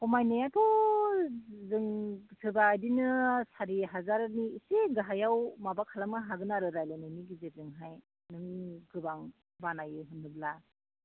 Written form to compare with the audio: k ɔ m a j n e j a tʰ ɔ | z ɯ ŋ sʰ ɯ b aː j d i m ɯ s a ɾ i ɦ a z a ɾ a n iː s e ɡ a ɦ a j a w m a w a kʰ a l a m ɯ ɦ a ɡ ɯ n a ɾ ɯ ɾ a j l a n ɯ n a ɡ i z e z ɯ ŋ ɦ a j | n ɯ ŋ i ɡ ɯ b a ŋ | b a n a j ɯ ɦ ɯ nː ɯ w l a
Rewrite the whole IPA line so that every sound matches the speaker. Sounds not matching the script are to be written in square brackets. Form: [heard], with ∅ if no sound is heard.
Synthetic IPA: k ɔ m a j n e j a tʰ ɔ | z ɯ ŋ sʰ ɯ b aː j d i [n] ɯ s a ɾ i ɦ a z a ɾ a n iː s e ɡ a ɦ a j a w m a [b] a kʰ a l a m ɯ ɦ a ɡ ɯ n a ɾ ɯ ɾ a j l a n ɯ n [i] ɡ i z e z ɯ ŋ ɦ a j | n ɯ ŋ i ɡ ɯ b a ŋ | b a n a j ɯ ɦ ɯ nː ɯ [b] l a